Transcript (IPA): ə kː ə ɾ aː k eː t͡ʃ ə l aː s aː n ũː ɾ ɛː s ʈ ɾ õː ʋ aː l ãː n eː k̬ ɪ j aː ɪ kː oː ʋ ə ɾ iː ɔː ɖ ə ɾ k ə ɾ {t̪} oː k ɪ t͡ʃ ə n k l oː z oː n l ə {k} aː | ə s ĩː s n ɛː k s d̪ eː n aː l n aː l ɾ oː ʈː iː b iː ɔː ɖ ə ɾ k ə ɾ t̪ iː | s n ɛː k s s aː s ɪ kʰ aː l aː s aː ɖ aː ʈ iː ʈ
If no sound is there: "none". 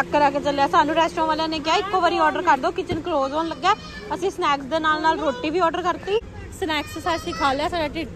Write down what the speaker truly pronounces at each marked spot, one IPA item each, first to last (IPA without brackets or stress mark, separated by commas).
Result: d̪, ɡ